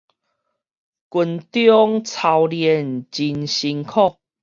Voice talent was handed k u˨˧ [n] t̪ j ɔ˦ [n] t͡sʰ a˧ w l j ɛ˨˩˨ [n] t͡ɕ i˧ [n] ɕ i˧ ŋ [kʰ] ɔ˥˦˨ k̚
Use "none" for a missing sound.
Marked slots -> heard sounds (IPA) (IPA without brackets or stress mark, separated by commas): n, ŋ, n, n, kʰ